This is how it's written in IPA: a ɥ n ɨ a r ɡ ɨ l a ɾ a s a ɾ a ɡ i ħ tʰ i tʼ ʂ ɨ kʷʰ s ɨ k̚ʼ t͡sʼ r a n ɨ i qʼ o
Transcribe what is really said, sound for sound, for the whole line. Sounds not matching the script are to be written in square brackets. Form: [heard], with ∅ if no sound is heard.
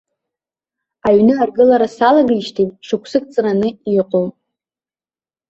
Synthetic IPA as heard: a ɥ n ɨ a r ɡ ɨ l a ɾ a s a [l] a ɡ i [ʃ] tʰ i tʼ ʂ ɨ kʷʰ s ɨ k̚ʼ t͡sʼ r a n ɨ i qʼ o